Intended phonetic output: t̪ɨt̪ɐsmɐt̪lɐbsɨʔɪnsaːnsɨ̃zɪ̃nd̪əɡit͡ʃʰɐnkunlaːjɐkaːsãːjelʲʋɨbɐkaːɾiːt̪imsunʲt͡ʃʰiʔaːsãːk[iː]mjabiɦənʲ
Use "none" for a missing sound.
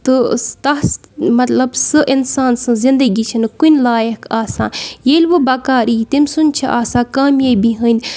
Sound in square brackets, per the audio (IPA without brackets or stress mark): aː